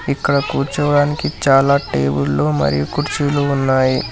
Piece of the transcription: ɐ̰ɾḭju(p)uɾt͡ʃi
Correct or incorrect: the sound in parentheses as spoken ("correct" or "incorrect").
incorrect